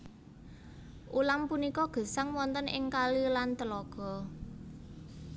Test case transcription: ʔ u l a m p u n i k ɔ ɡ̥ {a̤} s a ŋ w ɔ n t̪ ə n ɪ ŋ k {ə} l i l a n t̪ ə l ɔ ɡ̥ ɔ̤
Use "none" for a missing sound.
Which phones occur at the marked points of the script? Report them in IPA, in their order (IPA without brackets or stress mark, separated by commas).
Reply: ə̤, a